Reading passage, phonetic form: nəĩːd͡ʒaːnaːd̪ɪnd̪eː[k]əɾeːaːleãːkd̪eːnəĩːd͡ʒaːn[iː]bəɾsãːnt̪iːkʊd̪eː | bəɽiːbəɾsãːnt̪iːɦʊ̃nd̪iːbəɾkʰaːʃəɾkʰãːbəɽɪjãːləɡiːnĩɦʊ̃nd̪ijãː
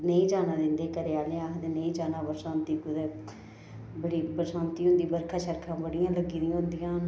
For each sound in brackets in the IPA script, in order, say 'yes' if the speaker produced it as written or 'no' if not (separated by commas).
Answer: yes, no